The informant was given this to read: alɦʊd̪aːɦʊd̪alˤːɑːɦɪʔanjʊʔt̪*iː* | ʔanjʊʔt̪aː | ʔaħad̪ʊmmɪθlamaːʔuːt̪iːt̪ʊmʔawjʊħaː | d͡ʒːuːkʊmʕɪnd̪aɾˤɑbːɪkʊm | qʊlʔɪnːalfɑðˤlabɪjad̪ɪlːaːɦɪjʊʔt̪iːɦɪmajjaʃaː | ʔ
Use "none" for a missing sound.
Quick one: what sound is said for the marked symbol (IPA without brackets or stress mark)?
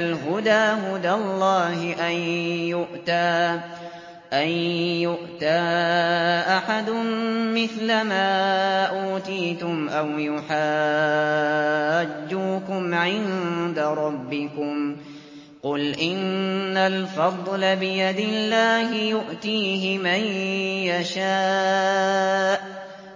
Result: aː